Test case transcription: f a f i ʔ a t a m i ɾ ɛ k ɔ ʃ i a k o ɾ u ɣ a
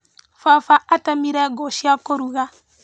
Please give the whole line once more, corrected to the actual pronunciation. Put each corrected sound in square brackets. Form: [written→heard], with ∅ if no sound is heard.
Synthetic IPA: f a f [i→a] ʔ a t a m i ɾ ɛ [k→ɡ] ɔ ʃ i a k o ɾ u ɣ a